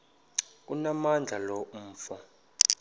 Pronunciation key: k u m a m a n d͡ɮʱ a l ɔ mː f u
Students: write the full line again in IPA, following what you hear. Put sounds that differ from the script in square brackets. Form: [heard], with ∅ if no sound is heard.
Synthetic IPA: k u [n] a m a n d͡ɮʱ a l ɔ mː f [ɔ]